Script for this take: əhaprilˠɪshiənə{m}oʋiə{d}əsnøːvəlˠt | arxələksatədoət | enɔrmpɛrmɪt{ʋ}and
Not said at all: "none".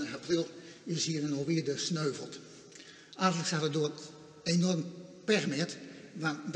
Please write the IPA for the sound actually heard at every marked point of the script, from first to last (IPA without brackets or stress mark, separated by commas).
n, d, ʋ